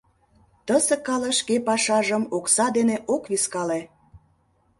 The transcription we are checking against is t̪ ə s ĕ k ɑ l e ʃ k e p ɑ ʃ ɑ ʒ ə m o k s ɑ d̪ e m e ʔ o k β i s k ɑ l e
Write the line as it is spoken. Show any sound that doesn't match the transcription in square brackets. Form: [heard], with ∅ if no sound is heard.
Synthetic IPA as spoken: t̪ ə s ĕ k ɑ l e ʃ k e p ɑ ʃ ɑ ʒ ə m o k s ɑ d̪ e [n] e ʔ o k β i s k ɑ l e